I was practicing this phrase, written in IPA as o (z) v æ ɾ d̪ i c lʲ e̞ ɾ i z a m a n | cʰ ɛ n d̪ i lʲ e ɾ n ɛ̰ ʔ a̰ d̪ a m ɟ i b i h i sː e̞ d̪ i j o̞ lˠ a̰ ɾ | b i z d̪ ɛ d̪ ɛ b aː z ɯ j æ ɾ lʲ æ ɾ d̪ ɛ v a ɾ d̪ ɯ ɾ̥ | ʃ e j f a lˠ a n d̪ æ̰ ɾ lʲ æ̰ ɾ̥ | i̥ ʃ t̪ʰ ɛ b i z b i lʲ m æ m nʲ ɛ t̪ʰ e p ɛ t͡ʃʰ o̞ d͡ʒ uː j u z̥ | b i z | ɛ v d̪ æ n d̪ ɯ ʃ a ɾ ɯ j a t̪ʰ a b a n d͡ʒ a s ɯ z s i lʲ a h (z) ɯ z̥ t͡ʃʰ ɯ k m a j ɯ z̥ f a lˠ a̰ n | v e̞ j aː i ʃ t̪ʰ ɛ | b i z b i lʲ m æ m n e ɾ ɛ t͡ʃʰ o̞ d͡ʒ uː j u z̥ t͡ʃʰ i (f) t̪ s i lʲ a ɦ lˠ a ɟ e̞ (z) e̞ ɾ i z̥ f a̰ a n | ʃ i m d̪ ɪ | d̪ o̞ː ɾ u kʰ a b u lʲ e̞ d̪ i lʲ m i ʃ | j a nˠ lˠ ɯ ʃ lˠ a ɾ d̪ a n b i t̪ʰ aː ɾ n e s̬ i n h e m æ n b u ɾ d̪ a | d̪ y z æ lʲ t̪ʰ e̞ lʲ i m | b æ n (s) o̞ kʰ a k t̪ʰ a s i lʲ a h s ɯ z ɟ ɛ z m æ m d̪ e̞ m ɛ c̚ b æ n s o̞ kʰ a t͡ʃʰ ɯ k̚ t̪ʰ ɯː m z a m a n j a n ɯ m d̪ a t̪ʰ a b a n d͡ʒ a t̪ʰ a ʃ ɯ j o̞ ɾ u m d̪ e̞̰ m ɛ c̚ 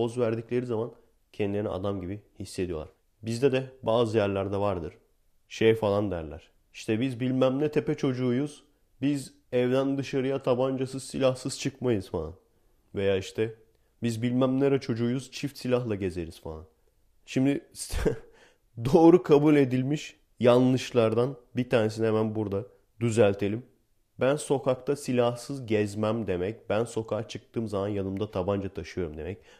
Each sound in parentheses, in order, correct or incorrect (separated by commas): correct, incorrect, correct, correct, correct